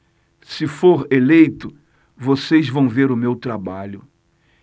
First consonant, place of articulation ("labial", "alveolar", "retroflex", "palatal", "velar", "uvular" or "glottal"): alveolar